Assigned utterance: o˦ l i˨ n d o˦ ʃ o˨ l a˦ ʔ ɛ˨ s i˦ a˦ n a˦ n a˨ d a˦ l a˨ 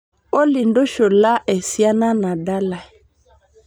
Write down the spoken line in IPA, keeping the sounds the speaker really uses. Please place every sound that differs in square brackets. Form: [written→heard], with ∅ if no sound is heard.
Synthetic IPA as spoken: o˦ l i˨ n d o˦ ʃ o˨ l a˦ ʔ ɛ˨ s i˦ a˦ n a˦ n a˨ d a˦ l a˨